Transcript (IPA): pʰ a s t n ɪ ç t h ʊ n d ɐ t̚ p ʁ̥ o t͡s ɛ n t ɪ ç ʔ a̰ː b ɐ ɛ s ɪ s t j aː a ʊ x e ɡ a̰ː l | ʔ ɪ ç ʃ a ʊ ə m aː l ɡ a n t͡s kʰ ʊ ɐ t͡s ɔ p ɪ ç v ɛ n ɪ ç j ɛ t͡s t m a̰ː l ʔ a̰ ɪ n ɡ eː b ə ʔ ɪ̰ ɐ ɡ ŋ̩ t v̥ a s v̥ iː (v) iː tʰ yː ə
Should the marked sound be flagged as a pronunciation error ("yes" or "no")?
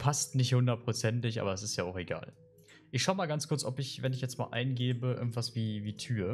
no